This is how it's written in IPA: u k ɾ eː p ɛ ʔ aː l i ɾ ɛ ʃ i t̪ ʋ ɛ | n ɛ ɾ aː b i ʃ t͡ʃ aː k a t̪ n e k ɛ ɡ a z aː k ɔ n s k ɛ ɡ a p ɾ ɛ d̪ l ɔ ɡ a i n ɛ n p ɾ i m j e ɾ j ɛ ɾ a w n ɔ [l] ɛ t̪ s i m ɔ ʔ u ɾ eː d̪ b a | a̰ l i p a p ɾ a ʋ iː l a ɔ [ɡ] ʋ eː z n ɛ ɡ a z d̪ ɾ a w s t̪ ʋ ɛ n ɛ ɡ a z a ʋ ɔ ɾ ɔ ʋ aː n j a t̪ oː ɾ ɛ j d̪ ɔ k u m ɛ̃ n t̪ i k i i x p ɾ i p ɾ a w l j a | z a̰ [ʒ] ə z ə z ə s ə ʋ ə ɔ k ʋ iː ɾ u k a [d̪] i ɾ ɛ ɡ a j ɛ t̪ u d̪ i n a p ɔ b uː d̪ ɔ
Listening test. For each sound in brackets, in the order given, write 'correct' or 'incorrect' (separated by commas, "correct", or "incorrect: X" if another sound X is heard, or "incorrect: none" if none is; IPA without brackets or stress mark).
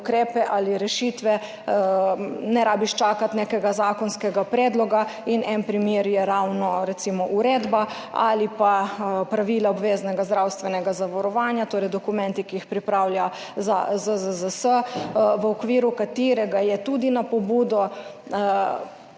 incorrect: ɾ, incorrect: b, incorrect: z, incorrect: t̪